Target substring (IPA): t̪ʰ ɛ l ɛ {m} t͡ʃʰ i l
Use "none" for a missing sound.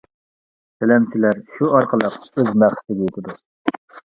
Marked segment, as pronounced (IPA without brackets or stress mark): m